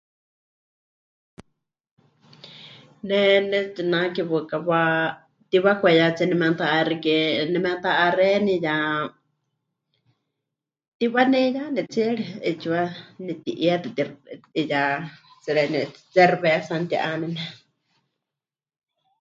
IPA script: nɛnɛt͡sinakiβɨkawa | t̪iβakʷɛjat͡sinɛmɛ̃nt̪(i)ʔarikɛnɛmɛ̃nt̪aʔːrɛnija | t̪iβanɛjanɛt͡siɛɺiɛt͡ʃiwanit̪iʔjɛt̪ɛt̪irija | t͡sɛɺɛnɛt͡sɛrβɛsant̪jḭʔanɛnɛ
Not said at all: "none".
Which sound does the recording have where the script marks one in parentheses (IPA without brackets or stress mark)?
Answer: a